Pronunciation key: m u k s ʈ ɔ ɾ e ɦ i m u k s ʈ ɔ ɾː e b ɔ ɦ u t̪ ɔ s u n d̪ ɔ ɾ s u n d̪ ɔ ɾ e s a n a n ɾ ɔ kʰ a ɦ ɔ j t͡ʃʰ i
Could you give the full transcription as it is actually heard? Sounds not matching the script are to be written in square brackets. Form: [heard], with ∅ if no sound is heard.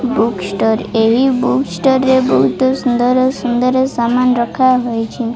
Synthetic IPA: [b] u k s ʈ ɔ ɾ e ɦ i [b] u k s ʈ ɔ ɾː e b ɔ ɦ u t̪ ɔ s u n d̪ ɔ ɾ s u n d̪ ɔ ɾ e s a [m] a n ɾ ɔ kʰ a ɦ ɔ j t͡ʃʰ i